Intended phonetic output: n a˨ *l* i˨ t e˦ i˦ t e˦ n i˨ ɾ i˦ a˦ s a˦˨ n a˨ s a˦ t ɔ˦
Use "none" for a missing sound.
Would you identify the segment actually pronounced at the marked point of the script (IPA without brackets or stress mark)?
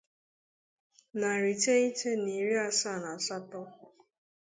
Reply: ɾ